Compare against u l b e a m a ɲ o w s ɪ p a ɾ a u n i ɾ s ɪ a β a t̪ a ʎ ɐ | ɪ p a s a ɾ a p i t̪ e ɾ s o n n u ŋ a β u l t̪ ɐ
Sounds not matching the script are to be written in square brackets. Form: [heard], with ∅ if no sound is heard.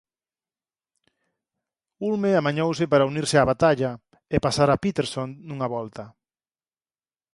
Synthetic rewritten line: u l [m] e a m a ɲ o w s ɪ p a ɾ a u n i ɾ s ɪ a β a t̪ a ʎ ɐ | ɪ p a s a ɾ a p i t̪ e ɾ s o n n u ŋ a β [ɔ] l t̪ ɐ